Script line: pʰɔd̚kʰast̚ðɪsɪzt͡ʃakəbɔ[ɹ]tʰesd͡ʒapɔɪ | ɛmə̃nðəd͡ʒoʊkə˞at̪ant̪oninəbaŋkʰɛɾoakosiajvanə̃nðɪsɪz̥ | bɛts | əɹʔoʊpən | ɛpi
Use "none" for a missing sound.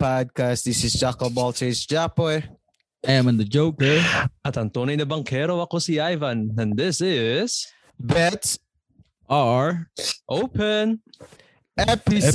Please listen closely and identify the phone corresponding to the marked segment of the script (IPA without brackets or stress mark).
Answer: l